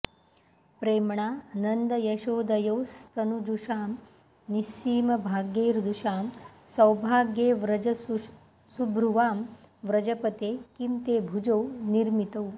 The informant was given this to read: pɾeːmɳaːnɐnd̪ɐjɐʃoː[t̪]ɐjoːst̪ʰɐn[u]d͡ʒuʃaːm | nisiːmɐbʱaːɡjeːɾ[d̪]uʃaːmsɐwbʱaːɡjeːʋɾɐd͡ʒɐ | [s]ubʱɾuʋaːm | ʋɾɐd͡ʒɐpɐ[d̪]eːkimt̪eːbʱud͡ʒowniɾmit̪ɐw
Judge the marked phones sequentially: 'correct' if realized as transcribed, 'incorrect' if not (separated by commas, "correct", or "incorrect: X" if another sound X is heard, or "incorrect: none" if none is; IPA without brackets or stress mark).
incorrect: d̪, correct, correct, correct, incorrect: t̪